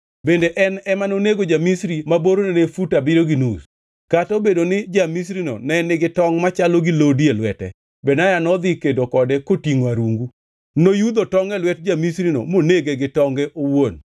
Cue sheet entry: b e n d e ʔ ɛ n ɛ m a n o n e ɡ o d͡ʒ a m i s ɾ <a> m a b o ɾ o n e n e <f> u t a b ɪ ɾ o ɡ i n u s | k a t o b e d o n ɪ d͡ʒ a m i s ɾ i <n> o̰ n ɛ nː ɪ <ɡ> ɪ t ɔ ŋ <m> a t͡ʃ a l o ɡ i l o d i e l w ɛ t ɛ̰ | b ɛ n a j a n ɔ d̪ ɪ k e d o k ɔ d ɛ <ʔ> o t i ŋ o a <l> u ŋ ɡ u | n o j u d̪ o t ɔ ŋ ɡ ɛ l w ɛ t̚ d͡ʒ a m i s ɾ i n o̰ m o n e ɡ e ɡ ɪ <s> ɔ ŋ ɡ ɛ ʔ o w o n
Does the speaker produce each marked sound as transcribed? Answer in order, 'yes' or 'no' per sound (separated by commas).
no, yes, yes, yes, yes, no, no, no